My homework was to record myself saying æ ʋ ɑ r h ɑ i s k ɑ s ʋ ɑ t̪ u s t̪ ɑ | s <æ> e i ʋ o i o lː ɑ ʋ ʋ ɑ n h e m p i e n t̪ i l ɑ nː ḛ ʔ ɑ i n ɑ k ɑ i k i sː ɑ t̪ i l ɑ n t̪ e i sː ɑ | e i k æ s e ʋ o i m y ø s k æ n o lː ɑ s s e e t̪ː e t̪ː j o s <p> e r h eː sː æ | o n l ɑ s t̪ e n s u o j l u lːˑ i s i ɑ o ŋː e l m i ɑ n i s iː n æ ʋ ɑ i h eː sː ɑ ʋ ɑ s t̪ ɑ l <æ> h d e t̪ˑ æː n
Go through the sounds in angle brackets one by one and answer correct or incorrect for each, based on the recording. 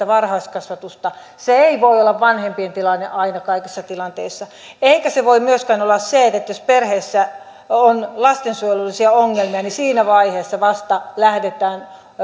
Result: incorrect: e, correct, correct

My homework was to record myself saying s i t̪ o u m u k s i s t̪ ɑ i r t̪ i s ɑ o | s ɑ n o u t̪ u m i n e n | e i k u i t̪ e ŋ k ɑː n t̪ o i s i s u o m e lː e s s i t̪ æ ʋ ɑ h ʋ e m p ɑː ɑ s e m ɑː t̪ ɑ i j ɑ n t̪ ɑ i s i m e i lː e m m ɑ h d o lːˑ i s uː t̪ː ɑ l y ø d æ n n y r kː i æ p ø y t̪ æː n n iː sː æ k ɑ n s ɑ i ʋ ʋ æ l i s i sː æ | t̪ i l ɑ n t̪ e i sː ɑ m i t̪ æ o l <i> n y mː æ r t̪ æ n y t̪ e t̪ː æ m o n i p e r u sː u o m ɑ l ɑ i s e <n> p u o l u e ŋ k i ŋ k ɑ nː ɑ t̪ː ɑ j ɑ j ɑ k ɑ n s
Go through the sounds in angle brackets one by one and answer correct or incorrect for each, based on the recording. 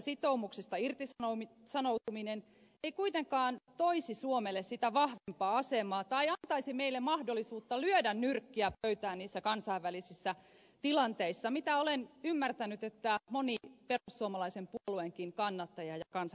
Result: incorrect: e, incorrect: m

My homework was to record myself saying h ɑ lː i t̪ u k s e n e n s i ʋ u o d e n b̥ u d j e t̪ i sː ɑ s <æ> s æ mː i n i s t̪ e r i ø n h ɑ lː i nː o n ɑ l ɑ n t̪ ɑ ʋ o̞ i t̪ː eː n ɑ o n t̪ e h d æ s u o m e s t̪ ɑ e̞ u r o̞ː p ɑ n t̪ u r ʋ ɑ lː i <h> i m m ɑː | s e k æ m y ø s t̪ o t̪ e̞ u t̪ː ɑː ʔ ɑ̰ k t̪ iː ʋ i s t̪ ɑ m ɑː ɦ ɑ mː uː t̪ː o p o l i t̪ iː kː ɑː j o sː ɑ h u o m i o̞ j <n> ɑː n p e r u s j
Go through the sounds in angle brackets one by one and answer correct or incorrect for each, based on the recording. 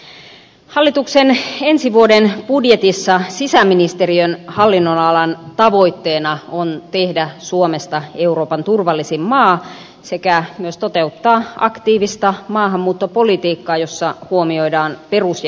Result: incorrect: i, incorrect: s, incorrect: d

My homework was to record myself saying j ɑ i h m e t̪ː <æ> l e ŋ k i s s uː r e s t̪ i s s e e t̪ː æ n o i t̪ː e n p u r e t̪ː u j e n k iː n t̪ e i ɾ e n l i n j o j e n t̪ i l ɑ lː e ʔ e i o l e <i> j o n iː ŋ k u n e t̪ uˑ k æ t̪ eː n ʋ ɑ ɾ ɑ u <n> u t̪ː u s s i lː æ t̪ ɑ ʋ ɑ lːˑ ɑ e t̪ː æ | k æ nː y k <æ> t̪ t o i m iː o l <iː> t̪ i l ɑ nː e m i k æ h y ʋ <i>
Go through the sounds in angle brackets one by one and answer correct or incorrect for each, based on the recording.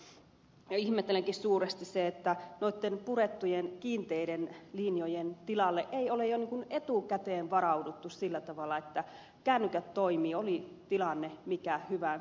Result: incorrect: e, incorrect: j, incorrect: d, correct, incorrect: i, incorrect: æ

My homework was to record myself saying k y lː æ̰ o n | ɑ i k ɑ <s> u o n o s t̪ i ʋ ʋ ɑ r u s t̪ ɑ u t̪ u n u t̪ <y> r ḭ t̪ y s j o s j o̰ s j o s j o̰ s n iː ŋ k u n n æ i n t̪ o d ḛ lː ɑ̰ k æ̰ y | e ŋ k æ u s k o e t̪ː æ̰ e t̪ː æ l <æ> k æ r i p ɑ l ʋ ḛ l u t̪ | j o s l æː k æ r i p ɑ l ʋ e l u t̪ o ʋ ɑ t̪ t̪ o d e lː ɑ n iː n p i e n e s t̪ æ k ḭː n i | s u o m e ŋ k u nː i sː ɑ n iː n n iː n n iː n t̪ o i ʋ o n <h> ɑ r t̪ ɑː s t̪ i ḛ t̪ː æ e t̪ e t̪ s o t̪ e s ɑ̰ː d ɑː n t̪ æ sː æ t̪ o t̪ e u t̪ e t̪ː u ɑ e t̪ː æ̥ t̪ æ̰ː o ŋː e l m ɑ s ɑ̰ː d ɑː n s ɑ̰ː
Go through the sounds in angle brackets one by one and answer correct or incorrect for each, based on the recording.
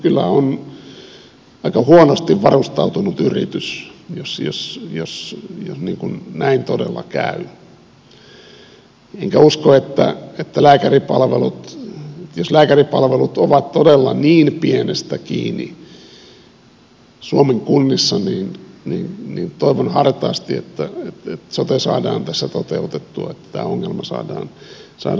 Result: incorrect: h, correct, incorrect: æː, correct

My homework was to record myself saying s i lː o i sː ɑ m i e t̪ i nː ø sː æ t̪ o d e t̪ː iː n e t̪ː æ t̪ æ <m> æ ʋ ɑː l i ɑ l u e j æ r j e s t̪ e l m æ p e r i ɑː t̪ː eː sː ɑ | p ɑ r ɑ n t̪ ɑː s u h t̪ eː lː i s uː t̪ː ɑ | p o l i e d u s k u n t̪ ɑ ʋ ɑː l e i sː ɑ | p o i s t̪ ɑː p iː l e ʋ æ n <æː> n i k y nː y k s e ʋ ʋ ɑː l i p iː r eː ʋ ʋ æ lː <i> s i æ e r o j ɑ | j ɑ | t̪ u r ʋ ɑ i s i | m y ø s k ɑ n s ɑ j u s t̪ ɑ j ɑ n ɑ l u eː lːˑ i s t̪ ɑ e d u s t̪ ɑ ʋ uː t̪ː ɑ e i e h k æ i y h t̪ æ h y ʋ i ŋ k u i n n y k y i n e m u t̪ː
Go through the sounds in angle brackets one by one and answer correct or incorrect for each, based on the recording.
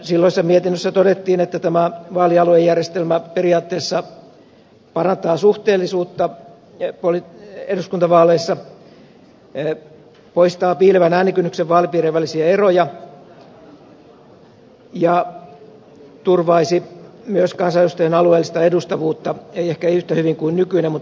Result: correct, correct, correct

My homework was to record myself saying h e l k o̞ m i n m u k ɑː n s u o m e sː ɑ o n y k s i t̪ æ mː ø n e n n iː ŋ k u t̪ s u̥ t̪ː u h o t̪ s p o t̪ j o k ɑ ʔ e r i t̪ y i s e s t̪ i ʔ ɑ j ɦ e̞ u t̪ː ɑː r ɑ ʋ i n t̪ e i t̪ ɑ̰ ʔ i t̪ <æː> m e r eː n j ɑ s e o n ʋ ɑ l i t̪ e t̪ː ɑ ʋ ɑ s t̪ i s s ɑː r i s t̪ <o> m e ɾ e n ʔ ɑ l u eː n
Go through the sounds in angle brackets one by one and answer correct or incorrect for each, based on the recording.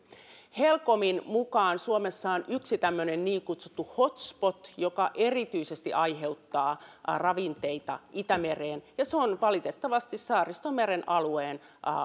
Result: incorrect: æ, correct

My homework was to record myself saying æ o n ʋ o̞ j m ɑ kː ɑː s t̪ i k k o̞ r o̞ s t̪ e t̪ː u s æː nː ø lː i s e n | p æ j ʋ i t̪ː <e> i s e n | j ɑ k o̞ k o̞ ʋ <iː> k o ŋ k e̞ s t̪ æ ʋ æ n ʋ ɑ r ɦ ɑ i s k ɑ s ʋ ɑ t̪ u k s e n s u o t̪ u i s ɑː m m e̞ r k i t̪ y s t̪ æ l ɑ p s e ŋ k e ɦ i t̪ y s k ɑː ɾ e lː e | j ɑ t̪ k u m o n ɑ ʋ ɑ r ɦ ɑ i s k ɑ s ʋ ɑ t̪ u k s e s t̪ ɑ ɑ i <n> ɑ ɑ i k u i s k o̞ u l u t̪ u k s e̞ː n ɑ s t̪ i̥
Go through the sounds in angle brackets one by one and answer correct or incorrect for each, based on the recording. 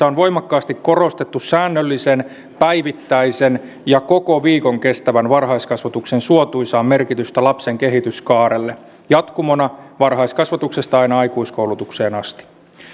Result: incorrect: æ, correct, correct

